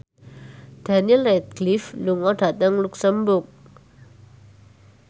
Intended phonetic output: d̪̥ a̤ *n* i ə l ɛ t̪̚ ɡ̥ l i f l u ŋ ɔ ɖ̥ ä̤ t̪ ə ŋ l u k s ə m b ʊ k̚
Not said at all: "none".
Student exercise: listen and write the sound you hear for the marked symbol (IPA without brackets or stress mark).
n